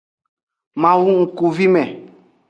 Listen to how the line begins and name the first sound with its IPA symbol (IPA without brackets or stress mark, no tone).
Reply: m